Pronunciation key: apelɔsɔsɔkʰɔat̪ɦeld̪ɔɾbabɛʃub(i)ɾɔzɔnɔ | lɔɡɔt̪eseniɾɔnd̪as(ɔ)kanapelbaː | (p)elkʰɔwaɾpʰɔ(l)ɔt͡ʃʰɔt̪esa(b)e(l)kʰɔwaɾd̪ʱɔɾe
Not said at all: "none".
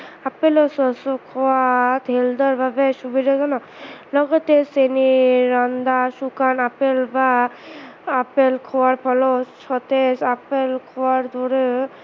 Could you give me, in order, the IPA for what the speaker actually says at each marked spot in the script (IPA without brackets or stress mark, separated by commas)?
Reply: i, u, p, l, p, l